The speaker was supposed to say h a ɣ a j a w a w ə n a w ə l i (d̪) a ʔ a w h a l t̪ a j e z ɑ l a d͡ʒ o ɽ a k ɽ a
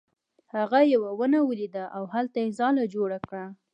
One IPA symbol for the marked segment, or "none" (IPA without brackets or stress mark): d̪